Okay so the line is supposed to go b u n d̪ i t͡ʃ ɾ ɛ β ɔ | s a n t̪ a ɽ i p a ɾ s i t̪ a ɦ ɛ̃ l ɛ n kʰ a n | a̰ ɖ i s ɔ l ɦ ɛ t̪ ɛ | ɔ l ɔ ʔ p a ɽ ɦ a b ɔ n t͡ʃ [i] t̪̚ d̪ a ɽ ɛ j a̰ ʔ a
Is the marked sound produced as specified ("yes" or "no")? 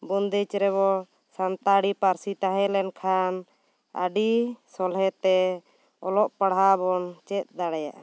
no